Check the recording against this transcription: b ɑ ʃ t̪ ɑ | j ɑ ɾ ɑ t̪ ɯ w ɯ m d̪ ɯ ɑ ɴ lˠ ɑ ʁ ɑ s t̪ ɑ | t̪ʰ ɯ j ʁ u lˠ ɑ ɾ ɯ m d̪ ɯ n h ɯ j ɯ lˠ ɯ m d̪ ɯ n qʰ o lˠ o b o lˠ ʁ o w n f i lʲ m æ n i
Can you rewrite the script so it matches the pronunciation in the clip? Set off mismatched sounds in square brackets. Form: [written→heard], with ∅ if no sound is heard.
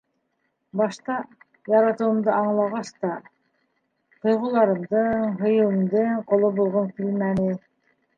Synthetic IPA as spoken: b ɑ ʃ t̪ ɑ | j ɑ ɾ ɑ t̪ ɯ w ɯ m d̪ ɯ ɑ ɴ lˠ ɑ ʁ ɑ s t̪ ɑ | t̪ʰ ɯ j ʁ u lˠ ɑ ɾ ɯ m d̪ ɯ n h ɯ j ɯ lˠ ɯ m d̪ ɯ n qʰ o lˠ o b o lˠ ʁ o [w→∅] n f i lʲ m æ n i